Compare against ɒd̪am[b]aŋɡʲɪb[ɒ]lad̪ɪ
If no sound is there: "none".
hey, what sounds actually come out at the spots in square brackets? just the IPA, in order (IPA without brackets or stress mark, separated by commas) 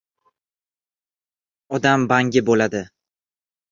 b, o